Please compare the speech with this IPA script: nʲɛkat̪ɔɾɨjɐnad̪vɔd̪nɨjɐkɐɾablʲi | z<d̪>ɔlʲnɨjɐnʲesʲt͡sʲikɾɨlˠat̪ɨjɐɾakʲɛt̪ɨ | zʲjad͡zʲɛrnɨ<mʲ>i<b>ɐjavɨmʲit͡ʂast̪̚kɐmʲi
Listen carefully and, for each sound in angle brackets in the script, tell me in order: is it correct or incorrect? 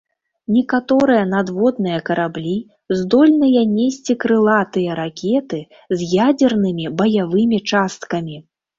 correct, correct, correct

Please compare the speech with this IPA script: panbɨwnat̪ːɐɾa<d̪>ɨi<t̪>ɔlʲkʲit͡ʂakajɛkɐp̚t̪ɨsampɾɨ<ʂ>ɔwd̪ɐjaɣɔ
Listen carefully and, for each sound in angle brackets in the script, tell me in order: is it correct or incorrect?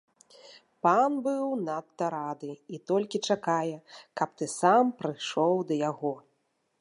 correct, correct, correct

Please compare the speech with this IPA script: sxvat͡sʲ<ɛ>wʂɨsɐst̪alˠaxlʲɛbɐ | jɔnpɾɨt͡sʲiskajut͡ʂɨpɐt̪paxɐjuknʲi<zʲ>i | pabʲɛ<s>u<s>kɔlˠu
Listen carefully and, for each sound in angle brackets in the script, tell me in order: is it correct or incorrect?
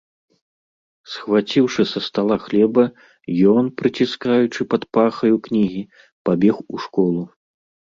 incorrect: i, incorrect: ɣʲ, incorrect: x, incorrect: ʂ

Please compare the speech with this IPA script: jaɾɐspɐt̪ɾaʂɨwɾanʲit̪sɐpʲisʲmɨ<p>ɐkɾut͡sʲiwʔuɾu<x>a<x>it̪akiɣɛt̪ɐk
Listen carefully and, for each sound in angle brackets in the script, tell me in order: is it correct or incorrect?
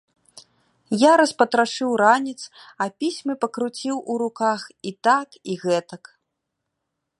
correct, incorrect: k, correct

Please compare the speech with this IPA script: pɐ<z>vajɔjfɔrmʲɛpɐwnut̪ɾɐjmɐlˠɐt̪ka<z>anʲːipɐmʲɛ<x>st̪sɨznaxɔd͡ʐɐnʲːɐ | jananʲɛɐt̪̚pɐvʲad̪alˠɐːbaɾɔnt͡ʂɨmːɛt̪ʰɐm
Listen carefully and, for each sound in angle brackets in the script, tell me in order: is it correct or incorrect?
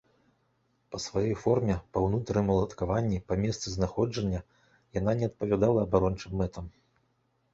incorrect: s, incorrect: v, incorrect: none

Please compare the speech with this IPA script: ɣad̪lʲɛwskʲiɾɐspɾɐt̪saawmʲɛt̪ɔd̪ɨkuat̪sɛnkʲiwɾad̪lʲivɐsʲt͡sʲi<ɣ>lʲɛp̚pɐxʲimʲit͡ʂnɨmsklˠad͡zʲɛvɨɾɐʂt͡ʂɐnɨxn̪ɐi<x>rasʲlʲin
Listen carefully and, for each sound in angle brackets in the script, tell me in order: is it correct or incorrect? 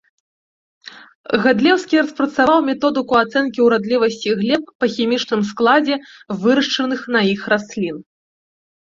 correct, correct

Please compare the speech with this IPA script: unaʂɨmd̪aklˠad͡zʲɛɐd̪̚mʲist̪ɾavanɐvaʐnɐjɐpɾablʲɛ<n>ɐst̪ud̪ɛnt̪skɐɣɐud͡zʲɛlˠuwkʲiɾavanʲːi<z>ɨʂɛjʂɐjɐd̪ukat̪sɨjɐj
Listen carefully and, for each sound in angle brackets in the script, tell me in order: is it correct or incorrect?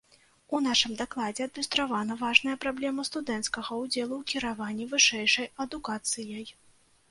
incorrect: m, incorrect: v

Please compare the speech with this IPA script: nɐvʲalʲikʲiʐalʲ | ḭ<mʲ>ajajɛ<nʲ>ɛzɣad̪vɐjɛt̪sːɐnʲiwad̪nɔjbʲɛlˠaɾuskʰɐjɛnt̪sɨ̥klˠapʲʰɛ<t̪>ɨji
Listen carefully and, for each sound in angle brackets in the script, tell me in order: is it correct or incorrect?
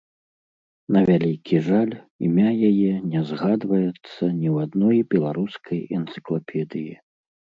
correct, correct, incorrect: d̪

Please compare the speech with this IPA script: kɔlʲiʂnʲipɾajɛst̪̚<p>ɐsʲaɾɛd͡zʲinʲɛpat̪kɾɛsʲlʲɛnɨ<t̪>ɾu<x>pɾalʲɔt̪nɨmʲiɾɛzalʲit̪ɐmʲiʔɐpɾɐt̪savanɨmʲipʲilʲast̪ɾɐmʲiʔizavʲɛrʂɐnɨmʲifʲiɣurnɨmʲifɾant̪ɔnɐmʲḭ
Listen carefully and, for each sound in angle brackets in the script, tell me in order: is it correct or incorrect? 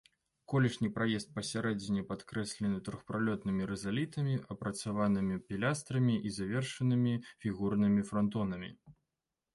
correct, correct, correct

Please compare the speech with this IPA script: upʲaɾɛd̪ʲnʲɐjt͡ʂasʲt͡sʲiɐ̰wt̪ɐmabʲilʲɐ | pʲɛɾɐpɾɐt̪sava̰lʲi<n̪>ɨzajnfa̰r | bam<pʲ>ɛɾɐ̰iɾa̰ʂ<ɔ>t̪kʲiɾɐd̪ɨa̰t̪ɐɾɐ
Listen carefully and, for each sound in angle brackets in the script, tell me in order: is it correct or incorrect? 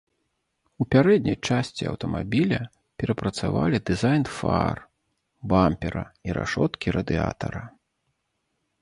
incorrect: d̪, correct, correct

